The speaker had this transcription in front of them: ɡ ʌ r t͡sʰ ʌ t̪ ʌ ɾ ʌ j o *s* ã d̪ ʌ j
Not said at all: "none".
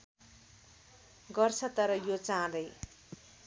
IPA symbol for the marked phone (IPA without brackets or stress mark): t͡s